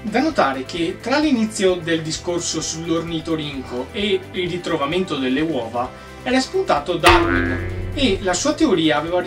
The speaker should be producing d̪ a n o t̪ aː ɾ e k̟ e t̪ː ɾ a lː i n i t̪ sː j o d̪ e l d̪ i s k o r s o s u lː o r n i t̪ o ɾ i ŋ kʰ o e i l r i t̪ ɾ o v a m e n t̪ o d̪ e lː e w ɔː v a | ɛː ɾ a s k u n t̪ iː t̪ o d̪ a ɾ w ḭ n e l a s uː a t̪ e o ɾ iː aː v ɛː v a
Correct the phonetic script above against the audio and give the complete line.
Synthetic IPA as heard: d̪ a n o t̪ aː ɾ e k̟ e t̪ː ɾ a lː i n i t̪ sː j o d̪ e l d̪ i s k o r s o s u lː o r n i t̪ o ɾ i ŋ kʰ o e i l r i t̪ ɾ o v a m e n t̪ o d̪ e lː e w ɔː v a | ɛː ɾ a s p u n t̪ aː t̪ o d̪ a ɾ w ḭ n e l a s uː a t̪ e o ɾ iː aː v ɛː v a